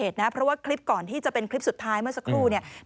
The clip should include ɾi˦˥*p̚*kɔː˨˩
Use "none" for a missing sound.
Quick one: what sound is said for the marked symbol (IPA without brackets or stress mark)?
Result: p̚